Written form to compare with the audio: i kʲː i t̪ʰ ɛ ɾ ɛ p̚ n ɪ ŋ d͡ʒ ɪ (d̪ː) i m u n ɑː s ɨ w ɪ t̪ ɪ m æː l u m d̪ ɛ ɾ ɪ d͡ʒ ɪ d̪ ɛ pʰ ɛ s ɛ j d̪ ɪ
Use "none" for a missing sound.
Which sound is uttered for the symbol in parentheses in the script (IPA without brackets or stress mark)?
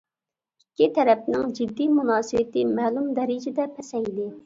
d̪ː